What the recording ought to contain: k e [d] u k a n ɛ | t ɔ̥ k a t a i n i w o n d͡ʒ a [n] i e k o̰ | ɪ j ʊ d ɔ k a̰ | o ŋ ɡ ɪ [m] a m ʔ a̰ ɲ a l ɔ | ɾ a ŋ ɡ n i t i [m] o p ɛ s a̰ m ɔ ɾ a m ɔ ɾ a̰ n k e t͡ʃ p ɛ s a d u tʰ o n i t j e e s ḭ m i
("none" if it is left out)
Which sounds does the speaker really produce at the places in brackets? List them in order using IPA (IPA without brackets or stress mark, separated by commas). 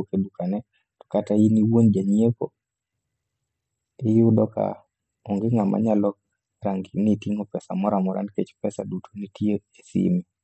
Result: d, ɲ, ŋ, ŋ